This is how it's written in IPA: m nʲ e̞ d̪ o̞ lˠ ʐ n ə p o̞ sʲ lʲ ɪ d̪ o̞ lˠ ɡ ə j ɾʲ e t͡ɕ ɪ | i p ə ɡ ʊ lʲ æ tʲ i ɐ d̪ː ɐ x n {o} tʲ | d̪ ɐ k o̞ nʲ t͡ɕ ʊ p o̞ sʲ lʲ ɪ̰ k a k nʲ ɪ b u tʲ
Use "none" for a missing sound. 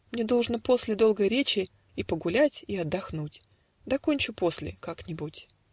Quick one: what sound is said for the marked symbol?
u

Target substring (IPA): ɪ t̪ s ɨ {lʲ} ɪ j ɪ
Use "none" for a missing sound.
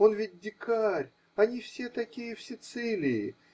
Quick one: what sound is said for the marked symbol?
lʲ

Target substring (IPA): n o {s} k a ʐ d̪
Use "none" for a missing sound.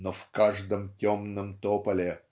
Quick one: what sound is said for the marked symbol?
f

